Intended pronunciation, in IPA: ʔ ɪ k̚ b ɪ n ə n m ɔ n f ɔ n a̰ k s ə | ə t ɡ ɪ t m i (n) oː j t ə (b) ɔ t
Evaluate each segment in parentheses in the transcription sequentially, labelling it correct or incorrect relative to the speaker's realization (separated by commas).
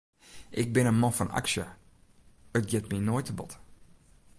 correct, correct